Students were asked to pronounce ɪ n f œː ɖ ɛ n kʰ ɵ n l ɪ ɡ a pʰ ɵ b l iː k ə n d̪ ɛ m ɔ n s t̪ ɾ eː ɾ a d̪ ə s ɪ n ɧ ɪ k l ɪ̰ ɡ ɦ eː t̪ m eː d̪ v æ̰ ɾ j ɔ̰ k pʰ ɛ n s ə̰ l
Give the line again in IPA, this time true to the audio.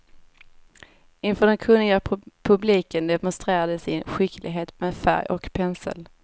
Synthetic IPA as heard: ɪ n f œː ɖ ɛ n kʰ ɵ n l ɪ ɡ a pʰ ɵ b l iː k ə n d̪ ɛ m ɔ n s t̪ ɾ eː ɾ a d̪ ə s ɪ n ɧ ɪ k l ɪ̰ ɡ ɦ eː t̪ m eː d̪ f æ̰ ɾ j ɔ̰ k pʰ ɛ n s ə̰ l